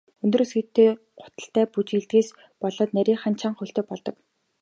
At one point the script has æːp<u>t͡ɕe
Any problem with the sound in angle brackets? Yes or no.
no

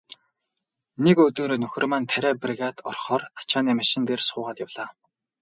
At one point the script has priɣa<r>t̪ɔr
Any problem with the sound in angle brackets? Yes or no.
yes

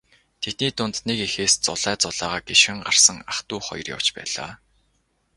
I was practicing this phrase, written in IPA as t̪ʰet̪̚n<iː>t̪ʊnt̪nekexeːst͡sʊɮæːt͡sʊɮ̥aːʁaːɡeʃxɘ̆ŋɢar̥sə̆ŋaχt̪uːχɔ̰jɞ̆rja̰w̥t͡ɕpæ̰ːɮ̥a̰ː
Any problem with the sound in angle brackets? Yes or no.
no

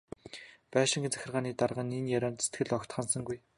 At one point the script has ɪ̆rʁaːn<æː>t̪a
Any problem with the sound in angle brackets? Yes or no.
yes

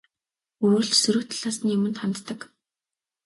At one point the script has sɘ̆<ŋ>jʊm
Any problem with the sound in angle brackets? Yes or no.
yes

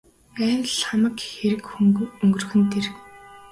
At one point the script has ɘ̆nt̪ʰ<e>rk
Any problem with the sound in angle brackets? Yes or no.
no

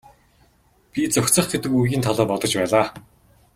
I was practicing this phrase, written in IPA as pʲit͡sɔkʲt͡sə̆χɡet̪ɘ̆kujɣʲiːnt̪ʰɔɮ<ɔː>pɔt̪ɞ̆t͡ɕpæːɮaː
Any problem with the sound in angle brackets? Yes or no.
no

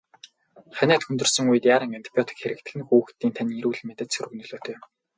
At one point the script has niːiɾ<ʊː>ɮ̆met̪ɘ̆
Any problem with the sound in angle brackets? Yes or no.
yes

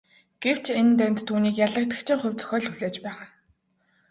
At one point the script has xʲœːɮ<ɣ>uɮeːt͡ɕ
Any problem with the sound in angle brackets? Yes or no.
yes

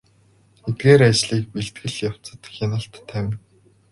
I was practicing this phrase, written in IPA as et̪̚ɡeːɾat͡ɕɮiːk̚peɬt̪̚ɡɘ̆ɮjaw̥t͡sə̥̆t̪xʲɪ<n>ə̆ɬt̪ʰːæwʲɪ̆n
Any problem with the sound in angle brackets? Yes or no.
no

